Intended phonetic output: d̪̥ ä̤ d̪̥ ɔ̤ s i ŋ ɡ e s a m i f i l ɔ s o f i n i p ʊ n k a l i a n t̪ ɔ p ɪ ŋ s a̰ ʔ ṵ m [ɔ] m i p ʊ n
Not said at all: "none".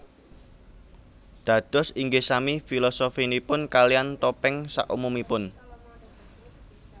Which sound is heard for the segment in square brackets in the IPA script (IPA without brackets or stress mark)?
u